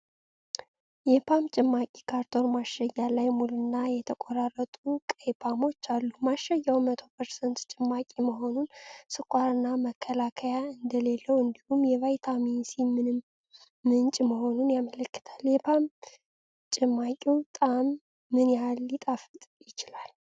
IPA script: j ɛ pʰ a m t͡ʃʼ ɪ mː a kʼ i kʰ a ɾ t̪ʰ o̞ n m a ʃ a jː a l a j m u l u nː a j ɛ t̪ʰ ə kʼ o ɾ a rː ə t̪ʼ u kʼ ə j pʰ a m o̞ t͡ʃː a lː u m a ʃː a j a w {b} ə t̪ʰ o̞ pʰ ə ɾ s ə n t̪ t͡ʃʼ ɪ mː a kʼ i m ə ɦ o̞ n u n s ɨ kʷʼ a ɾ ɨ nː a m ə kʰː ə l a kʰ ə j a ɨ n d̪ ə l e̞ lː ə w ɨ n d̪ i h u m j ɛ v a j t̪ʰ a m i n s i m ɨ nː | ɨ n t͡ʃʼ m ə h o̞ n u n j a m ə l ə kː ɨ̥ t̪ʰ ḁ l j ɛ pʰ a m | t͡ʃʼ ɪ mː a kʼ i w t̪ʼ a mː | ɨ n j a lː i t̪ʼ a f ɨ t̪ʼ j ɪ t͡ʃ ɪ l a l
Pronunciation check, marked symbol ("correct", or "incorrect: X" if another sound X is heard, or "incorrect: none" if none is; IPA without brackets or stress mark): incorrect: m